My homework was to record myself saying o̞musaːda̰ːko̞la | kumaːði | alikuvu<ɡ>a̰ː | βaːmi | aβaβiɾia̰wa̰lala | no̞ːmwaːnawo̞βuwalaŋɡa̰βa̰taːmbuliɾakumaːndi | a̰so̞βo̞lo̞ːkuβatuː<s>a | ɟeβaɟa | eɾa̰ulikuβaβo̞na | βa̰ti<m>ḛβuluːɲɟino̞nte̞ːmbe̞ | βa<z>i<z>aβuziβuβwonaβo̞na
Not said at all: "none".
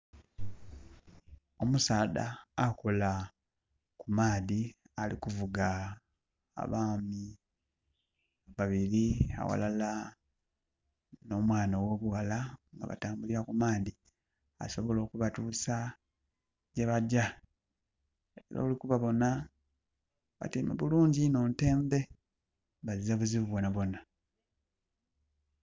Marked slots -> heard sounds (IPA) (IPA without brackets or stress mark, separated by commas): ɡ, s, m, z, z